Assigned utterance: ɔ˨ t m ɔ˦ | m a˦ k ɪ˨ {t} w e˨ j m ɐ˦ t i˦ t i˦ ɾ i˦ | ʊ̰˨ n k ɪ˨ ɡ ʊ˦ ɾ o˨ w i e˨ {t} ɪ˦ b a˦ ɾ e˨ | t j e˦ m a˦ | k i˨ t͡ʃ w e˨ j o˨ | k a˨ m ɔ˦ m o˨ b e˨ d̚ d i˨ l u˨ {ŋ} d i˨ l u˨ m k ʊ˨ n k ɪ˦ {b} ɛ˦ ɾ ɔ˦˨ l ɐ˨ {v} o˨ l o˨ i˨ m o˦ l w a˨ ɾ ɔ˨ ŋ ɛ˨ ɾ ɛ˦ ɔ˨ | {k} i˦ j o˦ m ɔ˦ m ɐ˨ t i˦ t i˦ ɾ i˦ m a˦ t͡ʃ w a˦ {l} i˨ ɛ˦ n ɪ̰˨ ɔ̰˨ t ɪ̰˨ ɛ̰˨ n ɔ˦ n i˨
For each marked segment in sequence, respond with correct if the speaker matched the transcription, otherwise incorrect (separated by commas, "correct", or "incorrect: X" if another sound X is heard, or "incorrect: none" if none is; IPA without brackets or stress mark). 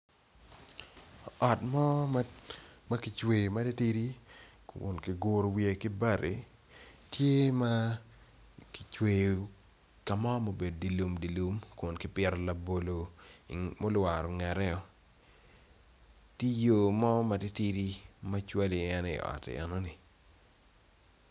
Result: incorrect: t͡ʃ, incorrect: k, incorrect: m, incorrect: p, incorrect: b, incorrect: t, correct